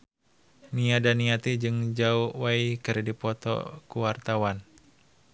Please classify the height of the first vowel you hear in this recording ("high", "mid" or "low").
high